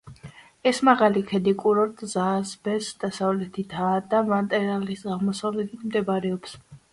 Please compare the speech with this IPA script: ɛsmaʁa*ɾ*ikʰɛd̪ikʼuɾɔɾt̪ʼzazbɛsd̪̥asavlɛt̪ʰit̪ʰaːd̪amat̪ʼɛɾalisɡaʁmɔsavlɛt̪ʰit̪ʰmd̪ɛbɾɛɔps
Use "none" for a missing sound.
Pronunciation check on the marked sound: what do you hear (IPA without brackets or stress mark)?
l